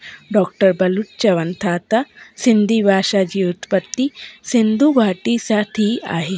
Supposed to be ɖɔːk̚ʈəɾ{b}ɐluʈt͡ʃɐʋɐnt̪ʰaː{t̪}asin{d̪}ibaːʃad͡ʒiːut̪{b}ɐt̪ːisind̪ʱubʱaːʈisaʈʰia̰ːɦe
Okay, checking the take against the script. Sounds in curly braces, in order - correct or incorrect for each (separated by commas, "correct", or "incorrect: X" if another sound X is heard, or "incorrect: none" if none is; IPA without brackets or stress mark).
correct, correct, correct, incorrect: p